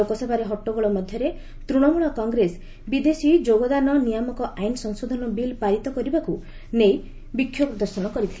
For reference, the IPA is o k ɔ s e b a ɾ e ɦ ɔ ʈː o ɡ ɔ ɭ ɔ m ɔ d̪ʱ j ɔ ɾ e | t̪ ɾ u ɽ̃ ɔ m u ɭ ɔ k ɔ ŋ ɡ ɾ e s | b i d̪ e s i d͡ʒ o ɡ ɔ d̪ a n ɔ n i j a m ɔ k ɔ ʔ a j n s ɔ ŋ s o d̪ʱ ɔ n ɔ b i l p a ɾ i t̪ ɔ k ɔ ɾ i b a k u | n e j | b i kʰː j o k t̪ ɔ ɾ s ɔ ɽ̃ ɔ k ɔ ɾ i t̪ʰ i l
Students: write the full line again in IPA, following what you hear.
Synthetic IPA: o k ɔ s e b a ɾ e ɦ ɔ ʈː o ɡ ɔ ɭ ɔ m ɔ d̪ʱ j ɔ ɾ e | t̪ ɾ u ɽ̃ ɔ m u ɭ ɔ k ɔ ŋ ɡ ɾ e s | b i d̪ e s i d͡ʒ o ɡ ɔ d̪ a n ɔ n i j a m ɔ k ɔ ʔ a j n s ɔ ŋ s o d̪ʱ ɔ n ɔ b i l p a ɾ i t̪ ɔ k ɔ ɾ i b a k u | n e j | b i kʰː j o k d̪ ɔ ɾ s ɔ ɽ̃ ɔ k ɔ ɾ i t̪ʰ i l